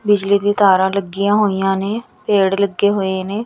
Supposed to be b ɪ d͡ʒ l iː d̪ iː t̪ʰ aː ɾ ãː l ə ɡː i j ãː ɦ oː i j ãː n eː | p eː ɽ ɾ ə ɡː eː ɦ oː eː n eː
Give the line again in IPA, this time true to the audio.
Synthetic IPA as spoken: b ɪ d͡ʒ l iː d̪ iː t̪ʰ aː ɾ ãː l ə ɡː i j ãː ɦ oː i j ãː n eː | p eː ɽ l ə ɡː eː ɦ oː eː n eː